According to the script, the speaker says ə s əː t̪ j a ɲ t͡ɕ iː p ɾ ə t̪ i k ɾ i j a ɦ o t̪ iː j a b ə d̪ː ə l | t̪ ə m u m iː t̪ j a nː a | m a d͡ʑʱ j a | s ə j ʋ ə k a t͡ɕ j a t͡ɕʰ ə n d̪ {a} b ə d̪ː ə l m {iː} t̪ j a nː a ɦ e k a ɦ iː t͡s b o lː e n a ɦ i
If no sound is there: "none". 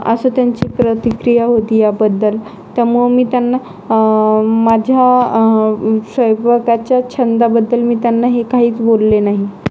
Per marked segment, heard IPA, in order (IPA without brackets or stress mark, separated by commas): a, iː